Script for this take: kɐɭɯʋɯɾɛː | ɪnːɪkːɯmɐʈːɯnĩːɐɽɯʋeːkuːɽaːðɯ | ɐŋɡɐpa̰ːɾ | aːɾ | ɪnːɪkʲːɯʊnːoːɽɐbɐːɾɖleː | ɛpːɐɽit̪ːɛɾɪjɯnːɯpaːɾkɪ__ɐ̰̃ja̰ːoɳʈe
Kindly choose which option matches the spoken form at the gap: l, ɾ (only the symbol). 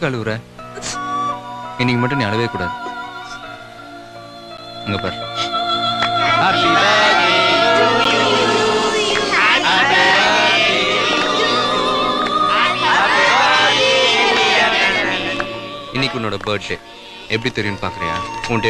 ɾ